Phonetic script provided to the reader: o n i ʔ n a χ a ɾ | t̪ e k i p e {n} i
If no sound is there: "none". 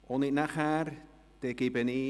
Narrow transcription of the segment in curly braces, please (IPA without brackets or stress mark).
n